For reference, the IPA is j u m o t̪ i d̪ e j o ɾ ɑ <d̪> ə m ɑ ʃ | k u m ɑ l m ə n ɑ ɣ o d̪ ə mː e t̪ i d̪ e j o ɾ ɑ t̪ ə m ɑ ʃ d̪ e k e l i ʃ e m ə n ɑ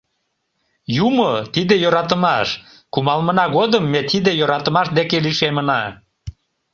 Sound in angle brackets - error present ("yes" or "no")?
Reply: yes